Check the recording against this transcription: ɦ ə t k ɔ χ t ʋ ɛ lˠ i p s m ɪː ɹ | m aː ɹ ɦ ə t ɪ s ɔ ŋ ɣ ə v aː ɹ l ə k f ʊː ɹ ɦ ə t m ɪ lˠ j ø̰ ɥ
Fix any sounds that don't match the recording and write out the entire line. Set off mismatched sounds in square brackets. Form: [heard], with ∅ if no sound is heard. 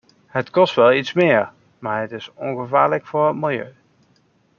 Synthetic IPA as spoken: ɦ ə t k ɔ [s] t ʋ ɛ lˠ i [t] s m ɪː ɹ | m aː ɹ ɦ ə t ɪ s ɔ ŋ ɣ ə v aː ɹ l ə k f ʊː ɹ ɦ ə t m ɪ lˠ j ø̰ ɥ